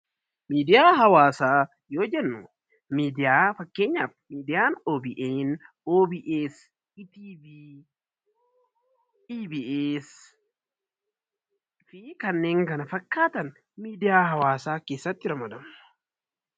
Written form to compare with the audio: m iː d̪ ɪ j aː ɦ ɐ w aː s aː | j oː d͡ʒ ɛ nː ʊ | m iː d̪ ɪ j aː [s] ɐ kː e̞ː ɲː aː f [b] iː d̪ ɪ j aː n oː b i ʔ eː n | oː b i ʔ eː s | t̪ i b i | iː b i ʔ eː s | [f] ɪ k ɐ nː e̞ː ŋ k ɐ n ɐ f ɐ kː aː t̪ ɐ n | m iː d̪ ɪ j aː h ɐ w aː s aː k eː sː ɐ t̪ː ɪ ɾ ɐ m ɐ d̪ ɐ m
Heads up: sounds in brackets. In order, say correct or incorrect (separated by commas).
incorrect, incorrect, correct